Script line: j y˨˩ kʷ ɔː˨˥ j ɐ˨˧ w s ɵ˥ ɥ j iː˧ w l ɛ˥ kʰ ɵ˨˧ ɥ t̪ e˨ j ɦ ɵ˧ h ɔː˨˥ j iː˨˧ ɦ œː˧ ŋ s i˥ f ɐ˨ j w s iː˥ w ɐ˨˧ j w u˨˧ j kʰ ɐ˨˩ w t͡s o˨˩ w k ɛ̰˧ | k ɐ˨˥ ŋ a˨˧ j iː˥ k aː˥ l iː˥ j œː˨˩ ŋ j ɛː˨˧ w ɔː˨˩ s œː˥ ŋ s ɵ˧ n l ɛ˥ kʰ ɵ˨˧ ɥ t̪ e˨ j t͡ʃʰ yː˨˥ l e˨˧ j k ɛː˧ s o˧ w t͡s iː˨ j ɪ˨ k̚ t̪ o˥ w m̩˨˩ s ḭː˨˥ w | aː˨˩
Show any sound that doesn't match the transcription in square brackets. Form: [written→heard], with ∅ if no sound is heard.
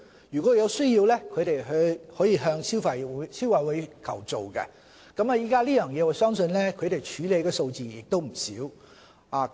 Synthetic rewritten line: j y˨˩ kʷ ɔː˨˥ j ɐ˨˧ w s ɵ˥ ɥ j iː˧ w l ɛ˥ kʰ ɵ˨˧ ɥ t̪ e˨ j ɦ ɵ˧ h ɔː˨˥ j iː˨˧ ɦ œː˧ ŋ s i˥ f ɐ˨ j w s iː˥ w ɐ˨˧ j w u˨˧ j kʰ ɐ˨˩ w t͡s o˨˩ w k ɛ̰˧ | k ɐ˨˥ [ŋ→m] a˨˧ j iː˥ k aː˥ l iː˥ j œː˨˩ ŋ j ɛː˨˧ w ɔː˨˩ s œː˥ ŋ s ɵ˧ n l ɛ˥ kʰ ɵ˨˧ ɥ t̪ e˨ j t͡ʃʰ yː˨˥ l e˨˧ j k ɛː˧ s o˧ w t͡s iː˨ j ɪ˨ k̚ t̪ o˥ w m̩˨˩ s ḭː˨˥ w | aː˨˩